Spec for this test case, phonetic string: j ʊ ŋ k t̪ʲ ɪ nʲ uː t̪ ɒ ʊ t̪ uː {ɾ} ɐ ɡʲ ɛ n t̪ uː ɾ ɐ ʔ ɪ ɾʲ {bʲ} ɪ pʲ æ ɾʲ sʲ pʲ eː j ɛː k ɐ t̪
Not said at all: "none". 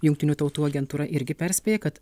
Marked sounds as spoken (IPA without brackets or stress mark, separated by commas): none, ɡʲ